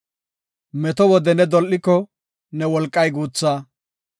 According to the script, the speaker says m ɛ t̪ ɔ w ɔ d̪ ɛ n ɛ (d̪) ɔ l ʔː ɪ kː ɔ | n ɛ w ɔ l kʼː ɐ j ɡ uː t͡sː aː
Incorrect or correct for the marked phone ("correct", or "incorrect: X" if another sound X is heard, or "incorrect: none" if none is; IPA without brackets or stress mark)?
correct